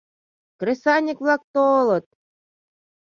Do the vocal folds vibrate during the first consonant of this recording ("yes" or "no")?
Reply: no